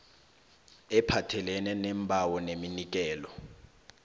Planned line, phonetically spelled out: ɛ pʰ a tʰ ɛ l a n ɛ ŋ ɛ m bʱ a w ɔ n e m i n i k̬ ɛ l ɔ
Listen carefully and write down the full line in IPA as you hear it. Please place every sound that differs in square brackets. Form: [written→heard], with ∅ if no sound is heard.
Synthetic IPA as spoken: ɛ pʰ a tʰ ɛ l [a→ɛ] n ɛ [ŋ→n] ɛ m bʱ a w ɔ n e m i n i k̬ [ɛ→ɛː] l ɔ